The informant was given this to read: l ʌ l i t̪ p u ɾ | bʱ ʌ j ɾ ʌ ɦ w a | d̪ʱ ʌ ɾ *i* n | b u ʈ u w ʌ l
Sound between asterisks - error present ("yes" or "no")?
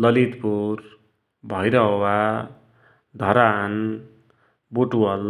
yes